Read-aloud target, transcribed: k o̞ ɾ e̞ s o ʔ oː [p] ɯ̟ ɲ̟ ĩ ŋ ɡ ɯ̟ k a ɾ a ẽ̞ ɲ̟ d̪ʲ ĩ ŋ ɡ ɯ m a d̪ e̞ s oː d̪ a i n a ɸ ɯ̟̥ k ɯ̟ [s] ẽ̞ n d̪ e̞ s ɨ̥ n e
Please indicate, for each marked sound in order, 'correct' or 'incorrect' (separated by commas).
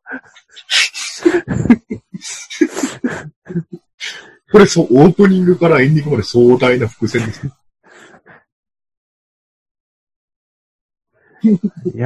correct, correct